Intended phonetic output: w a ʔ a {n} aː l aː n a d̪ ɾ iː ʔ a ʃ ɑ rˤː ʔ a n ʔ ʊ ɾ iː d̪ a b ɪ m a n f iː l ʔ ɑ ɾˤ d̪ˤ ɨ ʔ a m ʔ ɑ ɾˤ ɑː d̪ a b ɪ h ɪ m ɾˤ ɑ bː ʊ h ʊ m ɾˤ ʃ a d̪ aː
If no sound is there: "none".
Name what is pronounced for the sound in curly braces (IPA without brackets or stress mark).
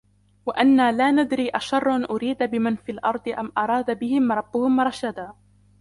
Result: nː